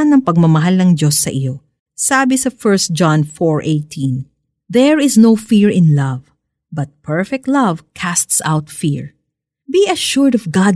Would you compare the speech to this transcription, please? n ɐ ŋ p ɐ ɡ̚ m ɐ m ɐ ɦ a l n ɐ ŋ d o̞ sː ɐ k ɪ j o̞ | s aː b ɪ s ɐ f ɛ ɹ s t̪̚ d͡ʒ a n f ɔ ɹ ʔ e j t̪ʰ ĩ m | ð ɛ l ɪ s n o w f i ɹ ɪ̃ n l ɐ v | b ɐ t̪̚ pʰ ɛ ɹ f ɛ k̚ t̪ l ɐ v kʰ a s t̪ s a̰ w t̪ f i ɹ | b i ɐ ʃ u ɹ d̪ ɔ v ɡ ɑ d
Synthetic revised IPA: n ɐ ŋ p ɐ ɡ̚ m ɐ m ɐ ɦ a l n ɐ ŋ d o̞ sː ɐ ʔ ɪ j o̞ | s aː b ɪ s ɐ f ɛ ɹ s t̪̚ d͡ʒ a n f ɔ ɹ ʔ e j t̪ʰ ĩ n | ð ɛ ɹ ɪ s n o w f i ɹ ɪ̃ n l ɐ v | b ɐ t̪̚ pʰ ɛ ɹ f ɛ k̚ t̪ l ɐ v kʰ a s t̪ s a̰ w t̪ f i ɹ | b i ɐ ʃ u ɹ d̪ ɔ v ɡ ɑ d